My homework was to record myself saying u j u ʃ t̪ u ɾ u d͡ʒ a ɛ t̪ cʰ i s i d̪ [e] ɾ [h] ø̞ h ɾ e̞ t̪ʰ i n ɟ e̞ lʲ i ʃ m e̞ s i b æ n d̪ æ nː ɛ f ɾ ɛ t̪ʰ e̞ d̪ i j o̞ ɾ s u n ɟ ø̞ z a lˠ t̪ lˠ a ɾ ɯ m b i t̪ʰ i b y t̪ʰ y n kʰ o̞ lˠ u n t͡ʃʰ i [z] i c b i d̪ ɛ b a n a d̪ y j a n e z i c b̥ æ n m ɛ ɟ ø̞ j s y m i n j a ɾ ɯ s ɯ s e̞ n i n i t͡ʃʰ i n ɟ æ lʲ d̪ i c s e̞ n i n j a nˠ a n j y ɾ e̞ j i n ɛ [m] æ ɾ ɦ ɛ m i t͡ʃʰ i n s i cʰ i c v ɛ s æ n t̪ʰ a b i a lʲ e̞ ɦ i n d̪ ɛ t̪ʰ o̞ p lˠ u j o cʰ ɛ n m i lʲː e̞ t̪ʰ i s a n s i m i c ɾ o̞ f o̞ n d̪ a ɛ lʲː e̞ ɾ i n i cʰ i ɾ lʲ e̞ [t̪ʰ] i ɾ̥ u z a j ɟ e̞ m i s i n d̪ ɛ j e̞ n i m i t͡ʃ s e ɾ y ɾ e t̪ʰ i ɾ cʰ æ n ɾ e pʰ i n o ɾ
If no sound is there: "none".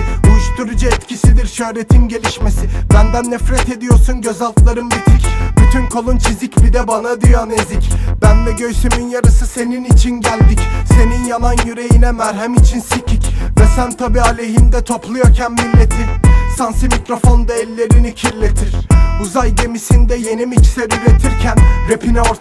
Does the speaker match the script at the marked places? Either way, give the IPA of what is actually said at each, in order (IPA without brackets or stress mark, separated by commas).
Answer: i, ʃ, z, m, t̪ʰ